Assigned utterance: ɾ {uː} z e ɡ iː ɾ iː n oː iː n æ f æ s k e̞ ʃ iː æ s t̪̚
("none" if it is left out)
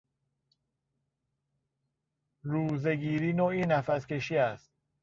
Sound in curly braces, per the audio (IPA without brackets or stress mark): uː